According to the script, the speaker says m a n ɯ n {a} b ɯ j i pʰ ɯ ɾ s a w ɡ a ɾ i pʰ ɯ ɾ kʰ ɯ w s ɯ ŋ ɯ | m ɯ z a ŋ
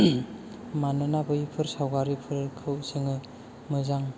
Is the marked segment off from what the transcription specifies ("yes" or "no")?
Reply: no